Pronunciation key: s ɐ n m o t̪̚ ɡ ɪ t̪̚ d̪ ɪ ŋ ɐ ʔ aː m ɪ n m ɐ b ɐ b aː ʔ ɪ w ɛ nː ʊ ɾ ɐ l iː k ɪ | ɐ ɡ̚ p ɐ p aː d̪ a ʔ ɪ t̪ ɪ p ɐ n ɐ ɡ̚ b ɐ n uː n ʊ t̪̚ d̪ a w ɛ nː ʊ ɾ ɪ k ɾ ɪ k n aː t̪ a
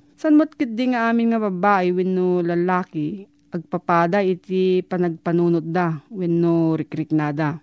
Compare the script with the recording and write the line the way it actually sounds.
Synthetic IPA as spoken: s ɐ n m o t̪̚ k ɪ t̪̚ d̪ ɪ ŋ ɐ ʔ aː m ɪ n ŋ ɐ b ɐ b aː ʔ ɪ w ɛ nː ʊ l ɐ l aː k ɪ | ɐ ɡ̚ p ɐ p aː d̪ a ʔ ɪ t̪ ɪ p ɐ n ɐ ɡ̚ p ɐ n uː n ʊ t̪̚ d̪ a w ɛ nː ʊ ɾ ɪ k ɾ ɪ k n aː d̪ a